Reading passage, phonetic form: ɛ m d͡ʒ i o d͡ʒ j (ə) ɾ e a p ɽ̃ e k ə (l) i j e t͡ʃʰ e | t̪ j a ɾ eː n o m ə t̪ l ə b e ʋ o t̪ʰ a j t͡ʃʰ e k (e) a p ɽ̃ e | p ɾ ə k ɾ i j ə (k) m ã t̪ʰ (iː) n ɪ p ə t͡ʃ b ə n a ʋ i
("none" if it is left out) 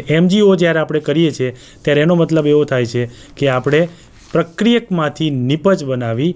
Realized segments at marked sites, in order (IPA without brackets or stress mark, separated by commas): a, ɾ, e, k, i